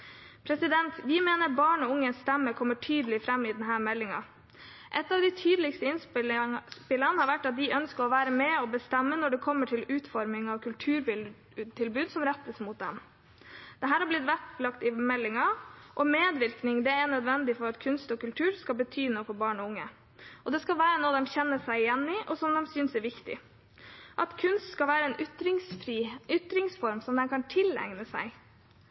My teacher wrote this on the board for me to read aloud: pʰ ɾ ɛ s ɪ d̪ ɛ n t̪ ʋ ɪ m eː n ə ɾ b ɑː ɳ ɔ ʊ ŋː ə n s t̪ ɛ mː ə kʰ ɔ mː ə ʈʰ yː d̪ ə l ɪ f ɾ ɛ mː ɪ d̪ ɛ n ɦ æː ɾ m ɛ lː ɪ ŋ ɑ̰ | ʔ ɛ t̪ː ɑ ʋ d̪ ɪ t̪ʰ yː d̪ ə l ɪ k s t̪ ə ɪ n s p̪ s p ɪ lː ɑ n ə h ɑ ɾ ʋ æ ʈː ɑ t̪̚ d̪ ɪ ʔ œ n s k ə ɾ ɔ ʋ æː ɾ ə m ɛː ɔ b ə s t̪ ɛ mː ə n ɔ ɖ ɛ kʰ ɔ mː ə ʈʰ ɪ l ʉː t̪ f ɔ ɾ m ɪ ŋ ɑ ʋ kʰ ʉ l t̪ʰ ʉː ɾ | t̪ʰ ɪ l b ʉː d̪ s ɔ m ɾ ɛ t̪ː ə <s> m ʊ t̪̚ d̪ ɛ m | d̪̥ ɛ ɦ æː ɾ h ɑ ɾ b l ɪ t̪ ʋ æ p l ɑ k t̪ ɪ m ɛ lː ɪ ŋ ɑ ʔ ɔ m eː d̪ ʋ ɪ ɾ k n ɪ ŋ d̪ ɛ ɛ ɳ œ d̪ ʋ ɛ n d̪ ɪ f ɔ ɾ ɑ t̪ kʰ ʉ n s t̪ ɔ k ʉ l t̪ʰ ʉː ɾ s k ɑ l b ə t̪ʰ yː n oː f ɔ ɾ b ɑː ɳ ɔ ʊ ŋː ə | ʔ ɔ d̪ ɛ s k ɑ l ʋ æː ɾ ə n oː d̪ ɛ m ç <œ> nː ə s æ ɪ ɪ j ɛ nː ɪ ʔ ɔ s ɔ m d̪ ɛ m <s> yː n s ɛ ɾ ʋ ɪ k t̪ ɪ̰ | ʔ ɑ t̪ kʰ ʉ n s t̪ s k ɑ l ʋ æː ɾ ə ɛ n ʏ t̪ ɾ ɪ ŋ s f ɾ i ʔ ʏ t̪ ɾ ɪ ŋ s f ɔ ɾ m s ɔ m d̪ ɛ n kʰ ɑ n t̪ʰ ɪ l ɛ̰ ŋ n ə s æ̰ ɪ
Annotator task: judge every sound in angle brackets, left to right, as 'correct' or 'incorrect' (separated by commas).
correct, incorrect, correct